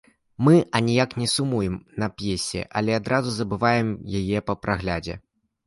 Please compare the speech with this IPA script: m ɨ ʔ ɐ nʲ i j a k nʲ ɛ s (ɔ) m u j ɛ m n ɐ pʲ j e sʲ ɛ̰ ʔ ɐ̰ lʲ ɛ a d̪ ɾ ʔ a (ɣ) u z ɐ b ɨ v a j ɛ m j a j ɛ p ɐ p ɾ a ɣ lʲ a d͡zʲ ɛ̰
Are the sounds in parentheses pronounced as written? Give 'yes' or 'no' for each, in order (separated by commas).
no, no